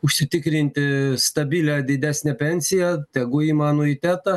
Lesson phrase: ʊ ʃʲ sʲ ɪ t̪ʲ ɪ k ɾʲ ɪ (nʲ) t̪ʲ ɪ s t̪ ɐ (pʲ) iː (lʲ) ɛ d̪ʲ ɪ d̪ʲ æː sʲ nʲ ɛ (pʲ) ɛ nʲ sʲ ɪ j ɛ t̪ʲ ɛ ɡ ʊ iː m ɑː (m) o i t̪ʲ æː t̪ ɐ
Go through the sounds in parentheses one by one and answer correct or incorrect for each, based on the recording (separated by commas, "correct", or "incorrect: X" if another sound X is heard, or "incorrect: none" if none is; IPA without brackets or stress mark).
correct, incorrect: bʲ, correct, correct, incorrect: n